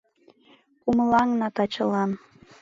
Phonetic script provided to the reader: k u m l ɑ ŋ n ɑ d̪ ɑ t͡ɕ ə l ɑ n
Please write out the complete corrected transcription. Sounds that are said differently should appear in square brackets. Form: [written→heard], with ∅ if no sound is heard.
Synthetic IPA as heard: k u m l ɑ ŋ n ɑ [d̪→t̪] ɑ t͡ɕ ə l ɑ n